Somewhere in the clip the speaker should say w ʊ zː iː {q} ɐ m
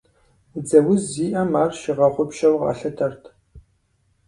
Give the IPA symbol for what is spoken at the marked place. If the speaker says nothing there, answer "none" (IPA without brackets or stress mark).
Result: ʔ